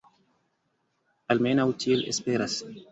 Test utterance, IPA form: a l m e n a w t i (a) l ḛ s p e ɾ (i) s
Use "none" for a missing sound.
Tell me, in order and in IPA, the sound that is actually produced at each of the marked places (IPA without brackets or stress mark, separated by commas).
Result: e, a